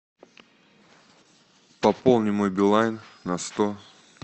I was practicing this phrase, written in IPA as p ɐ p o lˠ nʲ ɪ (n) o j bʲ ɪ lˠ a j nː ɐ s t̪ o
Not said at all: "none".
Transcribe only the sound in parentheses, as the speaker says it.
m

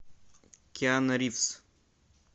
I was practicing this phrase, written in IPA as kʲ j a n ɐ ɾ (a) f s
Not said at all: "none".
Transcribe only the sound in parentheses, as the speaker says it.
i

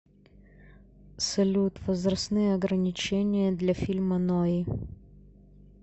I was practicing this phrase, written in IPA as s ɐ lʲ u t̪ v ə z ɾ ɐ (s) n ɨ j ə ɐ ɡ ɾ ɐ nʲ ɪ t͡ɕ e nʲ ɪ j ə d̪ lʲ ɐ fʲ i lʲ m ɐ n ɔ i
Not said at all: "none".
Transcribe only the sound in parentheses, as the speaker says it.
s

